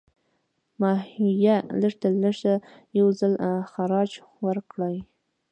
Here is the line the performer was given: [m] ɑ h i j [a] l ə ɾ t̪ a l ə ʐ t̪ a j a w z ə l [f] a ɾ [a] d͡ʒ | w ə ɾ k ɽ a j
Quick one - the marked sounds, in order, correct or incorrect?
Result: correct, correct, incorrect: x, incorrect: ɑ

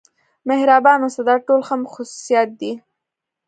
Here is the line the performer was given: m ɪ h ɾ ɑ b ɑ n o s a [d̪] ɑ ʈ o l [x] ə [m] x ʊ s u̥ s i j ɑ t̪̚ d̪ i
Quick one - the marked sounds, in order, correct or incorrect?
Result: correct, correct, correct

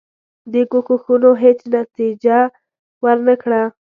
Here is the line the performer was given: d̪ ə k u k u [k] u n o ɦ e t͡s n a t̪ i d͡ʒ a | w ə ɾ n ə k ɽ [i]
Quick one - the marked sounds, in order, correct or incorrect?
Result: incorrect: x, incorrect: a

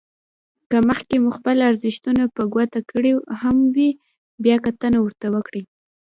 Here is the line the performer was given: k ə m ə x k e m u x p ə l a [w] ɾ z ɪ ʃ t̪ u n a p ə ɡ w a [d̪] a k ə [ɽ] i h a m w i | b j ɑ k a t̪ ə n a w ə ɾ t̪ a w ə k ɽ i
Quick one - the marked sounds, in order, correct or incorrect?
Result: incorrect: none, incorrect: t̪, correct

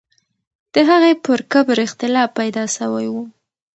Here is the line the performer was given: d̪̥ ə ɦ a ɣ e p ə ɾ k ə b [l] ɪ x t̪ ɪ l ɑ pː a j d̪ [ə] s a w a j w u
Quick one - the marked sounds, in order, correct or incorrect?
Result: incorrect: ɾ, incorrect: ɑ

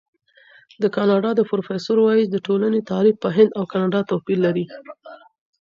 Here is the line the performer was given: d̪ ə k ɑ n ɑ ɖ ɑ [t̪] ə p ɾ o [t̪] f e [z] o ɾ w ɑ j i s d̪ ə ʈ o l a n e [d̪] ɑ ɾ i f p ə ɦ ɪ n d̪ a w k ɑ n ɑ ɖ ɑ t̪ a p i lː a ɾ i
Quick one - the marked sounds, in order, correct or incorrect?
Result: incorrect: d̪, incorrect: none, incorrect: s, incorrect: t̪

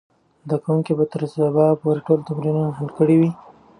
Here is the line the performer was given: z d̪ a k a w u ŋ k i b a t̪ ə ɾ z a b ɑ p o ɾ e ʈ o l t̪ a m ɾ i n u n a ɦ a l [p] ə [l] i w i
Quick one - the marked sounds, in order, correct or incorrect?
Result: incorrect: k, incorrect: ɽ

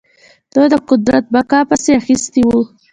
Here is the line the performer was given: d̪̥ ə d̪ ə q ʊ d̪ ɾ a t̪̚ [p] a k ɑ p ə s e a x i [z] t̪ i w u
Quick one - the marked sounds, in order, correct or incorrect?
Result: incorrect: b, incorrect: s

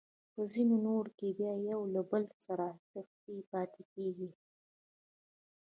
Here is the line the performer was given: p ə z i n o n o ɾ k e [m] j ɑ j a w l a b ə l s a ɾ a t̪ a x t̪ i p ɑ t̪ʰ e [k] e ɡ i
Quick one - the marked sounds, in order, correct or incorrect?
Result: incorrect: b, correct

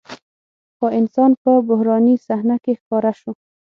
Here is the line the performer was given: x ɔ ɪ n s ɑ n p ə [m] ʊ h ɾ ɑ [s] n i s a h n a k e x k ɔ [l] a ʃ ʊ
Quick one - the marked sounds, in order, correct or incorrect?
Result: incorrect: b, incorrect: none, incorrect: ɾ

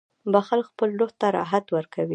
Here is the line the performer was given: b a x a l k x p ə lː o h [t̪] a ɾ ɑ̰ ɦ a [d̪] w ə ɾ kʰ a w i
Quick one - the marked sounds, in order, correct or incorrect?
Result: correct, incorrect: t̪

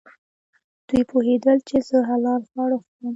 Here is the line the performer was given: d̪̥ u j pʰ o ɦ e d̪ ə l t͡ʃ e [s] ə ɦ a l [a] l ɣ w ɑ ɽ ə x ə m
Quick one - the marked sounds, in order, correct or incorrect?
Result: incorrect: z, incorrect: ɑ

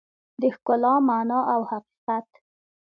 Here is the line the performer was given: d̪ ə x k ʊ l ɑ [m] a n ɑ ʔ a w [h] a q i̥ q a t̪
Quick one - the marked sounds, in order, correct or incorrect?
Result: correct, correct

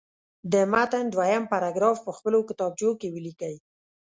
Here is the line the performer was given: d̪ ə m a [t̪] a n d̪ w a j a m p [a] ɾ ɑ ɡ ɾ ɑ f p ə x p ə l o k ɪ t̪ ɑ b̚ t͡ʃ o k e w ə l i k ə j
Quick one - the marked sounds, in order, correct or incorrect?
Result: correct, correct

